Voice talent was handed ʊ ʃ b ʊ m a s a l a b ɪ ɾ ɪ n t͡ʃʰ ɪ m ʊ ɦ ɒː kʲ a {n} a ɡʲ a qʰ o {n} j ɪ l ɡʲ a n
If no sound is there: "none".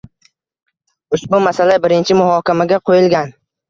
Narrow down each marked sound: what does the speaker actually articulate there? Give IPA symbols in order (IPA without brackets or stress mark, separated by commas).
m, none